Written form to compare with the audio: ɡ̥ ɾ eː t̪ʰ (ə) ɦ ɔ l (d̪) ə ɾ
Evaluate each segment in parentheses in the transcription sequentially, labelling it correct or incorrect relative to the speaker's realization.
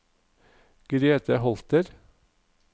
correct, incorrect: t̪

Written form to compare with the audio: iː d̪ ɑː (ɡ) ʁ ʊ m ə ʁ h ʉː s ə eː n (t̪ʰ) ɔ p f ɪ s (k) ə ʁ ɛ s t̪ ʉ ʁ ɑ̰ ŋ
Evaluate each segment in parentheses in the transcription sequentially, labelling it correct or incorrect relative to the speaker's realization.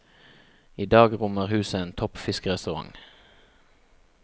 correct, correct, correct

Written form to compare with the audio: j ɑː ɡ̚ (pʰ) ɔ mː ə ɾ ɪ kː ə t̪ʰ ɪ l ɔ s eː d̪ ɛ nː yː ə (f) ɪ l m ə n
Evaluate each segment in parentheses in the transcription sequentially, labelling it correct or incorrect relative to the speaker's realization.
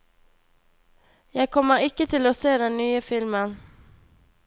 incorrect: kʰ, correct

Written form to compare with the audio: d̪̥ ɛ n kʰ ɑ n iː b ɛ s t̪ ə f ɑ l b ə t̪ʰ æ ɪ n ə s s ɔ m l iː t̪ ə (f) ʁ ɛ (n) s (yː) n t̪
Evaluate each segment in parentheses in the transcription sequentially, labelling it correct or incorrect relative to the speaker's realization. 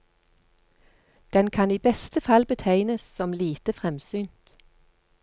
correct, incorrect: m, correct

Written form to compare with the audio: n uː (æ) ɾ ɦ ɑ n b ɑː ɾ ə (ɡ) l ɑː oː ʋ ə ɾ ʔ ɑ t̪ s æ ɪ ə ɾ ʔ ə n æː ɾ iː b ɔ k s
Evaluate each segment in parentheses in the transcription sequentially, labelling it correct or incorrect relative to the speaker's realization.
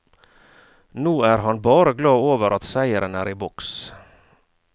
incorrect: æː, correct

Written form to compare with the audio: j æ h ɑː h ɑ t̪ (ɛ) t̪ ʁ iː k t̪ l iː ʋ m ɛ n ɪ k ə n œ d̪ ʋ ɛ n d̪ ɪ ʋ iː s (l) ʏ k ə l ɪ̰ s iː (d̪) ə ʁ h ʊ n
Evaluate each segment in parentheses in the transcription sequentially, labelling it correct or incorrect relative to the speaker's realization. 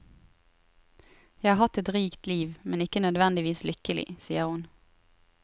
correct, correct, incorrect: none

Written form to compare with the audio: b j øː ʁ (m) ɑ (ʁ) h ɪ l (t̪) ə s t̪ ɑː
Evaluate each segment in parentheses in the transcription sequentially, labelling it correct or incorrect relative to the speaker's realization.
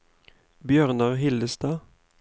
incorrect: n, correct, incorrect: d̪

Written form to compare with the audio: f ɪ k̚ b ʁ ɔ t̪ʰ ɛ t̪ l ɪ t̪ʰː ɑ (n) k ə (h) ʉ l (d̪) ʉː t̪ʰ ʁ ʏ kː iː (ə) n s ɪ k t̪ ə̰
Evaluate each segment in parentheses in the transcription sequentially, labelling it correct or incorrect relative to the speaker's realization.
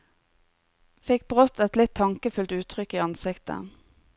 incorrect: ŋ, incorrect: f, incorrect: t̪, incorrect: ɑ

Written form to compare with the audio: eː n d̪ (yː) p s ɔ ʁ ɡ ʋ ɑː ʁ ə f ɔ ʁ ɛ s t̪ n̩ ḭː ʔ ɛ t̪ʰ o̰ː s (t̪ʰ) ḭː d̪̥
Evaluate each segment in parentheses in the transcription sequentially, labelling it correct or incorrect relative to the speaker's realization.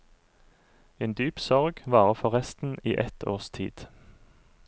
correct, correct

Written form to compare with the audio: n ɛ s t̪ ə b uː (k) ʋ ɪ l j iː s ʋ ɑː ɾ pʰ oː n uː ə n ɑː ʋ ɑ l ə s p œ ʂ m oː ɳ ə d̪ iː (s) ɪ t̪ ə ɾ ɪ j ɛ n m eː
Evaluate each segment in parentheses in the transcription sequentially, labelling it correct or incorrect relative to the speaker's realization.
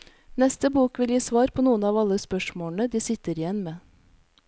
correct, correct

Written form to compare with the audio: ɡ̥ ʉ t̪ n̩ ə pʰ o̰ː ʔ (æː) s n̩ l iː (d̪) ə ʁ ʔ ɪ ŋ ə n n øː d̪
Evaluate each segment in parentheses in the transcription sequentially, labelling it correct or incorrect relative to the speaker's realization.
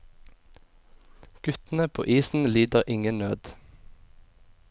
incorrect: iː, correct

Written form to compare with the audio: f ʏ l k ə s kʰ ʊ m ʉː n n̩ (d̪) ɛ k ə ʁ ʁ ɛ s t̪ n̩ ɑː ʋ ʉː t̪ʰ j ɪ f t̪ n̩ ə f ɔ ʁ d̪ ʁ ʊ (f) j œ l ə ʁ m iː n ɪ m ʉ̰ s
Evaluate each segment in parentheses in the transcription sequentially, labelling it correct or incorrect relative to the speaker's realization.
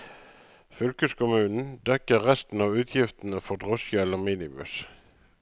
correct, incorrect: s

